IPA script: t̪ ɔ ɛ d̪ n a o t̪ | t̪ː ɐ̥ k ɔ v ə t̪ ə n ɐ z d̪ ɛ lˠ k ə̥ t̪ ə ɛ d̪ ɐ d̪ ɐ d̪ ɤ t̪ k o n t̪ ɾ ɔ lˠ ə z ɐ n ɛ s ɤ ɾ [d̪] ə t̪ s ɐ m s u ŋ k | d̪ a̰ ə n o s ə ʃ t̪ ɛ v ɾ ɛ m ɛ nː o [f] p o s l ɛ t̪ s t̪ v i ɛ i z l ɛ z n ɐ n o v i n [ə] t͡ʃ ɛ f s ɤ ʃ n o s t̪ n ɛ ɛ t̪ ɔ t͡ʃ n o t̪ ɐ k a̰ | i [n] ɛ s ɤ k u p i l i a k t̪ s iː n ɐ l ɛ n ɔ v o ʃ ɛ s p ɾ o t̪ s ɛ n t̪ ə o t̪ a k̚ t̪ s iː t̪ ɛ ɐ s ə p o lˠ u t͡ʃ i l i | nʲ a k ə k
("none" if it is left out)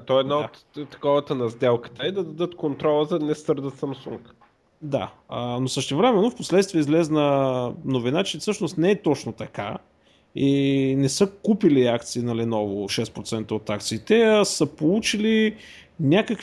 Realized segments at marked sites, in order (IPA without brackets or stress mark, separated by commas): d̪, f, a, n